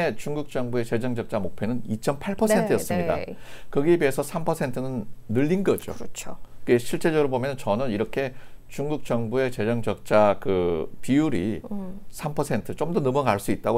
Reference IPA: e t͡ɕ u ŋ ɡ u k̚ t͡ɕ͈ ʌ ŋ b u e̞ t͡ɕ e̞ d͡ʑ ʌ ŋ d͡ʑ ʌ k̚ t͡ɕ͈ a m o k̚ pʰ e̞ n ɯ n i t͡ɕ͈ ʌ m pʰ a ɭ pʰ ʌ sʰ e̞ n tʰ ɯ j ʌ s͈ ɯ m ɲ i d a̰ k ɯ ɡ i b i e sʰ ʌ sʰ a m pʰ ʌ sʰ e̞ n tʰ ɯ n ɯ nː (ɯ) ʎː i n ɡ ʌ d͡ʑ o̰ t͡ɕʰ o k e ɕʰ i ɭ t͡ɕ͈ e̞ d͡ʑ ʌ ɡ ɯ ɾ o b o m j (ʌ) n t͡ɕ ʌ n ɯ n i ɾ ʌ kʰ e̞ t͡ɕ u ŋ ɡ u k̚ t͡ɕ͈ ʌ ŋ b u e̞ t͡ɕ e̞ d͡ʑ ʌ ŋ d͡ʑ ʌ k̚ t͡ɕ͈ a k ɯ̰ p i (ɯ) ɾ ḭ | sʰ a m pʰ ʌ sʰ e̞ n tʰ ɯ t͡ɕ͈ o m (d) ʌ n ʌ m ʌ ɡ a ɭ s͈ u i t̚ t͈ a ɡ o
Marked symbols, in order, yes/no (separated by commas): yes, yes, no, yes